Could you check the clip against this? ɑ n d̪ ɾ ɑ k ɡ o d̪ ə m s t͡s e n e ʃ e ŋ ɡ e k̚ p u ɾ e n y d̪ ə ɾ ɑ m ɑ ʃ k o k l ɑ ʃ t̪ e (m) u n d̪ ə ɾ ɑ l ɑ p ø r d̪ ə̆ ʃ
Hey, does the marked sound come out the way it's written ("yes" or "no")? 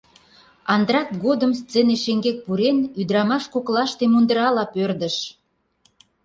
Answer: yes